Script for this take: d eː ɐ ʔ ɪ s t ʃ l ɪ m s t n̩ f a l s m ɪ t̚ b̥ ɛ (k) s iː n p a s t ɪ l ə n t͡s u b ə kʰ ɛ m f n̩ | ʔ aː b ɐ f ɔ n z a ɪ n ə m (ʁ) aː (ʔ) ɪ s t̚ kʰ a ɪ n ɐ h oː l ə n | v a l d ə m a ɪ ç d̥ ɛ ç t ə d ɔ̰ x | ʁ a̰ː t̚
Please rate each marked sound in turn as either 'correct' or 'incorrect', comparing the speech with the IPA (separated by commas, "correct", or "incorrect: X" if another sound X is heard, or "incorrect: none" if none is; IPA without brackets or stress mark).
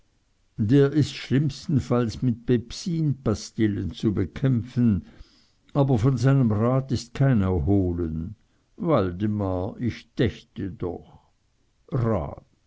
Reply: incorrect: p, correct, incorrect: t